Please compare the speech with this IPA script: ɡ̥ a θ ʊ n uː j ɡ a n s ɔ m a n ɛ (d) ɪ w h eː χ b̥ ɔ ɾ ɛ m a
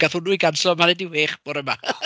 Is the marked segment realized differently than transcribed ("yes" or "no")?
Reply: no